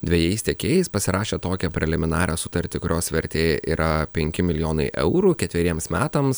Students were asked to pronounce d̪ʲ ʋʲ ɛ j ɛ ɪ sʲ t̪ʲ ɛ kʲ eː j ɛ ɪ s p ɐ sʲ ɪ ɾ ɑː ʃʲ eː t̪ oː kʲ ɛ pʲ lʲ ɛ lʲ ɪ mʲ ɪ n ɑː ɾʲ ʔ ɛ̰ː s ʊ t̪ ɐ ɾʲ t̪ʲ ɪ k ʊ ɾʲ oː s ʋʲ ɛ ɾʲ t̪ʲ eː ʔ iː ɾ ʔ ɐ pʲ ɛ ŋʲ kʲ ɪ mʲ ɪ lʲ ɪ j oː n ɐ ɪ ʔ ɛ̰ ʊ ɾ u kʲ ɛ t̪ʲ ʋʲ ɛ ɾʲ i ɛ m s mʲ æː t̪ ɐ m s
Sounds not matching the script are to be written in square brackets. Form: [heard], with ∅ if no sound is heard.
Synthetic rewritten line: d̪ʲ ʋʲ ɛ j ɛ ɪ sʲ t̪ʲ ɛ kʲ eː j ɛ ɪ s p ɐ sʲ ɪ ɾ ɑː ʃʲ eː t̪ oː kʲ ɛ pʲ [ɾʲ] ɛ lʲ ɪ mʲ ɪ n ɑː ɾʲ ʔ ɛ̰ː s ʊ t̪ ɐ ɾʲ t̪ʲ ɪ k ʊ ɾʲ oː s ʋʲ ɛ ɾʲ t̪ʲ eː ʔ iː ɾ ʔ ɐ pʲ ɛ ŋʲ kʲ ɪ mʲ ɪ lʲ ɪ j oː n ɐ ɪ ʔ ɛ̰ ʊ ɾ u kʲ ɛ t̪ʲ ʋʲ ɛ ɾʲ i ɛ m s mʲ æː t̪ ɐ m s